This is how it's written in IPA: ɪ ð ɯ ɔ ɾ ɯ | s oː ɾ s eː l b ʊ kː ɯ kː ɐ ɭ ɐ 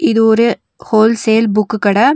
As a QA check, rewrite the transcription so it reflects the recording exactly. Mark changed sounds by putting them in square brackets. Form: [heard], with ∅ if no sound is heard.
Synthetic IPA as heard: ɪ ð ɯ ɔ ɾ ɯ | [h] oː [l] s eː l b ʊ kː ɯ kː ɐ [ɽ] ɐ